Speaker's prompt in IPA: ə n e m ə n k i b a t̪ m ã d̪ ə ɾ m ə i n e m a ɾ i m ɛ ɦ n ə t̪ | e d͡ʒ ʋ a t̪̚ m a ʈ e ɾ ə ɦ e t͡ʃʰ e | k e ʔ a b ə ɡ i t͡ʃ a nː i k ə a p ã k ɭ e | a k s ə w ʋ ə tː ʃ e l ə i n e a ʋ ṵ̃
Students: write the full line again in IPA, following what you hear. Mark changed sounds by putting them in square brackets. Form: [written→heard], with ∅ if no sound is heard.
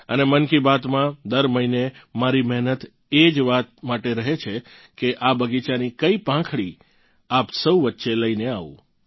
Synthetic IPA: ə n e m ə n k i b a t̪ m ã d̪ ə ɾ m ə i n e m a ɾ i m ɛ ɦ n ə t̪ | e d͡ʒ ʋ a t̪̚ m a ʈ e ɾ ə ɦ e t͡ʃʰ e | k e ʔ a b ə ɡ i t͡ʃ a [nː→n] i k ə [a→i] p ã [k→kʰ] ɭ [e→i] | a [k→p] s ə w ʋ ə tː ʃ e l ə i n e a ʋ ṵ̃

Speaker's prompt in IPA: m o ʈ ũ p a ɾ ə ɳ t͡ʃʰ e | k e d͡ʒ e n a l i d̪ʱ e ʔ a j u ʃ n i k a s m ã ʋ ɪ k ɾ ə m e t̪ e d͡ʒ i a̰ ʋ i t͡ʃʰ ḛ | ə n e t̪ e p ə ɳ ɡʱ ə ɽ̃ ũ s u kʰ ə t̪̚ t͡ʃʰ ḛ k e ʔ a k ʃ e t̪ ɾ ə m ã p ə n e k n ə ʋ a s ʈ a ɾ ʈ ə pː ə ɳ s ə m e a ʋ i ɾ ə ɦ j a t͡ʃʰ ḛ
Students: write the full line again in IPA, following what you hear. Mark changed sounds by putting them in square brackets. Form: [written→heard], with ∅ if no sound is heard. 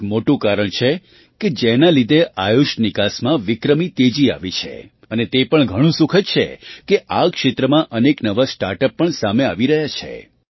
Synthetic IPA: m o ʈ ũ [p→k] a ɾ ə ɳ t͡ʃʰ e | k e d͡ʒ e n a l i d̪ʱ e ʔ a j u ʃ n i k a s m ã ʋ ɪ k ɾ ə m [e→i] t̪ e d͡ʒ i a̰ ʋ i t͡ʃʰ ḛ | ə n e t̪ e p ə ɳ ɡʱ ə ɽ̃ ũ s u kʰ ə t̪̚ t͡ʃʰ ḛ k e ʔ a k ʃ e t̪ ɾ ə m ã [p→ʔ] ə n e k n ə ʋ a s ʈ a ɾ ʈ ə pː ə ɳ s [ə→a] m e a ʋ i ɾ ə ɦ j a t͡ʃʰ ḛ

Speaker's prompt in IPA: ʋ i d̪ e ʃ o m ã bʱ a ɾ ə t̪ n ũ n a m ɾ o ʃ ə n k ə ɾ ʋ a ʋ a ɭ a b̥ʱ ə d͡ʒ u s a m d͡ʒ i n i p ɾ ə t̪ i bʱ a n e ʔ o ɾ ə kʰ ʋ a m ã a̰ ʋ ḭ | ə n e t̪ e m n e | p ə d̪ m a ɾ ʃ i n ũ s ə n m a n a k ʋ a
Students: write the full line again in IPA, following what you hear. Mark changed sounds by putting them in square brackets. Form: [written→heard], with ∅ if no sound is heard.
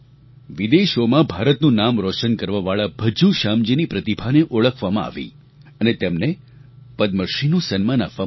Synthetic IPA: ʋ i d̪ e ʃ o m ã bʱ a ɾ ə t̪ n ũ n a m ɾ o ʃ ə n k ə ɾ ʋ a ʋ a ɭ a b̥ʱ ə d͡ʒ u [s→ʃ] a m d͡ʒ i n i p ɾ ə t̪ i bʱ a n e ʔ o [ɾ→ɭ] ə kʰ ʋ a m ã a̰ ʋ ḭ | ə n e t̪ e m n e | p ə d̪ m [a→ə] ɾ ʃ i n ũ s ə n m a n a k ʋ a

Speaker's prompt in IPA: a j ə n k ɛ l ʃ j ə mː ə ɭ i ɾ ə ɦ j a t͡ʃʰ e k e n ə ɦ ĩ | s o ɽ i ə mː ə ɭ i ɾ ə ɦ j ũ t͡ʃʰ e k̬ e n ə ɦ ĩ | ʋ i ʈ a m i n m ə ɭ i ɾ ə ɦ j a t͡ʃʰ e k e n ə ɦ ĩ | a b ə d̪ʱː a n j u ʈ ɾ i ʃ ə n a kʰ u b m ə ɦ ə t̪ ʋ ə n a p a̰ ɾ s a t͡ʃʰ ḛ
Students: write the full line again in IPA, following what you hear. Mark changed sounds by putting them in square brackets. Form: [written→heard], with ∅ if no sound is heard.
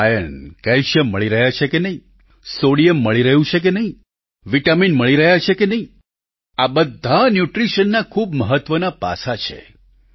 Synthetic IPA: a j ə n k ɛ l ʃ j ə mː ə ɭ i ɾ ə ɦ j a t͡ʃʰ e k e n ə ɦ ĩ | s o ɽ i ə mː ə ɭ i ɾ ə ɦ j ũ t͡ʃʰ e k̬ e n ə ɦ ĩ | ʋ i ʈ a m i n m ə ɭ i ɾ ə ɦ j a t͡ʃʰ e k e n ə ɦ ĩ | a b ə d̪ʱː a n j u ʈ ɾ i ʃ ə [n→nː] a kʰ u b m ə ɦ ə t̪ ʋ ə n a p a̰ [ɾ→∅] s a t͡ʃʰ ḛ

